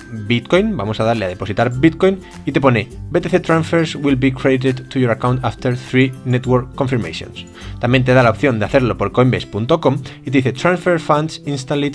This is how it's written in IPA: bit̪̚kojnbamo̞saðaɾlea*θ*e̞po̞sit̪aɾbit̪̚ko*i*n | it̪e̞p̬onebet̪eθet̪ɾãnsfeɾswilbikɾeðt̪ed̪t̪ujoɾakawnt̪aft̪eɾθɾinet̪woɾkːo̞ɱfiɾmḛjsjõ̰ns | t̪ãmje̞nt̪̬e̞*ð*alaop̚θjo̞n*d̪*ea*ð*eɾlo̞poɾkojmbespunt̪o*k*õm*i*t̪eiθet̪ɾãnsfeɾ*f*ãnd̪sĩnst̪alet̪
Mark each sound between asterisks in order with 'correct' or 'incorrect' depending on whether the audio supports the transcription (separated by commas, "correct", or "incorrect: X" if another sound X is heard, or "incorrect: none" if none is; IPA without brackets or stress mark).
incorrect: ð, incorrect: j, correct, correct, incorrect: θ, correct, correct, correct